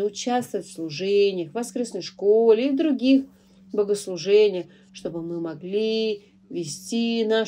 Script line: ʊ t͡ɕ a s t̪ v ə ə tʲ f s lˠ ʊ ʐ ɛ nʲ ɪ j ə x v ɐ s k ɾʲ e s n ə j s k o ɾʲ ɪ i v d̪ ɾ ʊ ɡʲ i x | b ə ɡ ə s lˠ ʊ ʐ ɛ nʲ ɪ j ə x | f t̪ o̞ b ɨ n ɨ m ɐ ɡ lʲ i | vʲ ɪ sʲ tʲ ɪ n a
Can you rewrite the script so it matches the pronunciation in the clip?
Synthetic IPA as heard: ʊ t͡ɕ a s t̪ v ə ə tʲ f s lˠ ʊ ʐ ɛ nʲ ɪ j ə x v ɐ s k ɾʲ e s n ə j ʂ k o lʲ ɪ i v d̪ ɾ ʊ ɡʲ i x | b ə ɡ ə s lˠ ʊ ʐ ɛ nʲ ɪ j ə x | ʂ t̪ o̞ b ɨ m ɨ m ɐ ɡ lʲ i | vʲ ɪ sʲ tʲ i n a